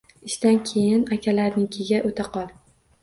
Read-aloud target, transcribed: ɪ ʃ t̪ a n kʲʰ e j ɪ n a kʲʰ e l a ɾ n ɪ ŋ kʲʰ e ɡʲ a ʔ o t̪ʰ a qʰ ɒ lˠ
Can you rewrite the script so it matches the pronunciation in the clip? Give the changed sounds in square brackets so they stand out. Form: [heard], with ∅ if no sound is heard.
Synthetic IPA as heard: ɪ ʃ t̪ a n kʲʰ e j ɪ n a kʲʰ [a] l a ɾ n ɪ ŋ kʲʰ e ɡʲ a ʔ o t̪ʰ a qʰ ɒ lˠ

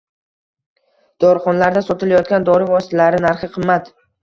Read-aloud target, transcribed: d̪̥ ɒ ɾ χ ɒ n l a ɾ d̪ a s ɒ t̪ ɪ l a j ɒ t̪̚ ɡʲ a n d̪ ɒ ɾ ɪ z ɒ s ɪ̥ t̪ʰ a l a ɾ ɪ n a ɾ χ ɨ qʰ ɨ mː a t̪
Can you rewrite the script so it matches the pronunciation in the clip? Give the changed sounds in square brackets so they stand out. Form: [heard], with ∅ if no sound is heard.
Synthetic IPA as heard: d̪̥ ɒ ɾ χ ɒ n l a ɾ d̪ a s ɒ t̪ ɪ l a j ɒ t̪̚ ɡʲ a n d̪ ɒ ɾ ɪ [v] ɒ s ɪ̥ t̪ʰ a l a ɾ ɪ n a ɾ χ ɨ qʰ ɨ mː a t̪

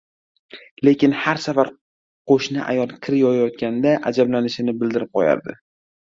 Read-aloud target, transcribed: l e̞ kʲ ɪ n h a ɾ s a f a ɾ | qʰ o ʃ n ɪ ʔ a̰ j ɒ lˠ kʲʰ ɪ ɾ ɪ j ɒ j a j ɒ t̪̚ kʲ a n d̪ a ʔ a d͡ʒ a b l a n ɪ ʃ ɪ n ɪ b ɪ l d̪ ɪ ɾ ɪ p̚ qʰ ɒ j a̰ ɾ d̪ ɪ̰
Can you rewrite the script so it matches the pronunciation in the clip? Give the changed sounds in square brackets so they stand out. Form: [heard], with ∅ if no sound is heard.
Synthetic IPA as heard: l e̞ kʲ ɪ n h a ɾ s a f a ɾ | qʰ o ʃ n ɪ ʔ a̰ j ɒ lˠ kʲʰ ɪ ɾ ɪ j ɒ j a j ɒ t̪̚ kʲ a n d̪ a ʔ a d͡ʒ a b l a n ɪ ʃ ɪ n ɪ b ɪ l d̪ ɪ ɾ ɪ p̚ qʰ ɒ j a̰ ɾ d̪ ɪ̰

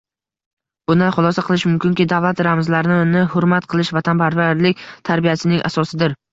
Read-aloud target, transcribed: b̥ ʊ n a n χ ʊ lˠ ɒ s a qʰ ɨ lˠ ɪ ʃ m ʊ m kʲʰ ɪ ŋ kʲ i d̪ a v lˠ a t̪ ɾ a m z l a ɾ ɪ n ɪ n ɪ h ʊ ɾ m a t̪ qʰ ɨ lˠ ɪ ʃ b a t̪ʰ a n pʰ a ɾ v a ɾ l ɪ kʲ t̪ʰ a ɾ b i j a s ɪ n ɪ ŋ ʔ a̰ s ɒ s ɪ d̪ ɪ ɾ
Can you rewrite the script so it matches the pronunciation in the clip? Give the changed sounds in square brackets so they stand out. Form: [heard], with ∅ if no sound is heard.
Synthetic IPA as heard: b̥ ʊ n a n χ ʊ lˠ ɒ s a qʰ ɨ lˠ ɪ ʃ m ʊ m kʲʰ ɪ ŋ kʲ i d̪ a v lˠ a t̪ ɾ a m z l a ɾ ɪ n ɪ n ɪ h ʊ ɾ m a t̪ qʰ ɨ lˠ ɪ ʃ [v] a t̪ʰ a n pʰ a ɾ v a ɾ l ɪ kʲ t̪ʰ a ɾ b i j a s ɪ n ɪ ŋ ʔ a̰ s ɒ s ɪ d̪ ɪ ɾ

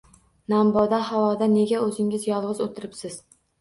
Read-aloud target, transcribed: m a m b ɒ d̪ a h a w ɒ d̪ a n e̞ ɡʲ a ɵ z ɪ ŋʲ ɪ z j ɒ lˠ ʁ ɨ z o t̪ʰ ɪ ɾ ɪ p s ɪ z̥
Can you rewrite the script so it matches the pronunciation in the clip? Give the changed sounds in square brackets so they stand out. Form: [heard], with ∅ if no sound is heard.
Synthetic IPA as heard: [n] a m b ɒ d̪ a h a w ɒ d̪ a n e̞ ɡʲ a ɵ z ɪ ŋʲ ɪ z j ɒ lˠ ʁ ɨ z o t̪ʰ ɪ ɾ ɪ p s ɪ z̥

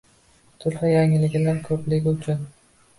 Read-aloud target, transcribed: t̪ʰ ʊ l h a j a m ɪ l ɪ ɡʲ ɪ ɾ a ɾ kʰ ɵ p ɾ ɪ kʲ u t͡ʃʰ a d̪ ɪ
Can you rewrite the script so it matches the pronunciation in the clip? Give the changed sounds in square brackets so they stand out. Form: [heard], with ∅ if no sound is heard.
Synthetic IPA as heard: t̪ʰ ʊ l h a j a [ŋ] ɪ l ɪ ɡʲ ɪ [l] a ɾ kʰ ɵ p [l] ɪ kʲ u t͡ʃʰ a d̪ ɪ

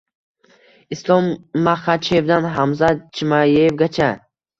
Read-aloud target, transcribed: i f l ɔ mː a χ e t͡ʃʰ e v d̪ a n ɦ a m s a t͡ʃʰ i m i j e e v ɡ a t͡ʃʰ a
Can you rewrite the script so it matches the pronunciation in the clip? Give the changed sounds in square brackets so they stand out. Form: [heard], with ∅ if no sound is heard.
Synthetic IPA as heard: i [s] l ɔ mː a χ [a] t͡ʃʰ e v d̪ a n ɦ a m [z] a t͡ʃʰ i m [a] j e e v ɡ a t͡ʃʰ a

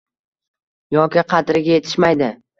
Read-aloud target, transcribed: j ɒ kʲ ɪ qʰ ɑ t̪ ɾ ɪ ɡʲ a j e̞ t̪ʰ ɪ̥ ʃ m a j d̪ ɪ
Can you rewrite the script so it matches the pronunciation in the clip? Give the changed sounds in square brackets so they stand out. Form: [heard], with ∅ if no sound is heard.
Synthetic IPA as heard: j ɒ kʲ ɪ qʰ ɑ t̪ ɾ ɪ ɡʲ a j e̞ t̪ʰ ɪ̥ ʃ m a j d̪ ɪ

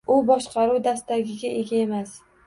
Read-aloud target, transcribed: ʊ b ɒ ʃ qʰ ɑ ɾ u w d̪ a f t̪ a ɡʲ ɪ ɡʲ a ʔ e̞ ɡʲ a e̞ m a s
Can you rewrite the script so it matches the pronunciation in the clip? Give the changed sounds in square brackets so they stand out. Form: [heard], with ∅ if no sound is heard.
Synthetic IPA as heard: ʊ b ɒ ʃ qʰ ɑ ɾ u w d̪ a [s] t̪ a ɡʲ ɪ ɡʲ a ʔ e̞ ɡʲ a e̞ m a s

